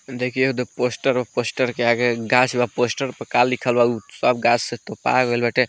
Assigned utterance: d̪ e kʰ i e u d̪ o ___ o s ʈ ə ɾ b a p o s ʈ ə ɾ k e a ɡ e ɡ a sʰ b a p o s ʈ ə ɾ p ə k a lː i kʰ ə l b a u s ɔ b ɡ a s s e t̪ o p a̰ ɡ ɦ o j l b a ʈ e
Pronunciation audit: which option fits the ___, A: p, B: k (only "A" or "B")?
A